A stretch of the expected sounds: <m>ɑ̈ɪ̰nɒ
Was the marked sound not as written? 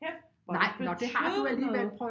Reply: yes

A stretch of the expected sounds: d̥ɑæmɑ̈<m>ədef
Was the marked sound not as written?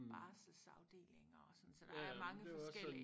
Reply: yes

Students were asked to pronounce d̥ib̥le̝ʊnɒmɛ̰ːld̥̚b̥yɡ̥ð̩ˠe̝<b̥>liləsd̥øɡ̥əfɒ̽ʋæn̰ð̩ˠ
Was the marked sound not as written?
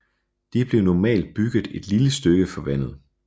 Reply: yes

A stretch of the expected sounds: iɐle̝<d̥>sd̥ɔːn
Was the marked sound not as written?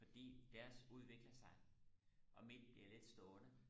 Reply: no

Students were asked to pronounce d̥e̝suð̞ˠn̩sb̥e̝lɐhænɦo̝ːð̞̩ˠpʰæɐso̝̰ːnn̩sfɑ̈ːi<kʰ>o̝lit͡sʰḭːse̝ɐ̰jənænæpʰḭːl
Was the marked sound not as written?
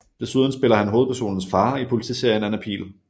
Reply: yes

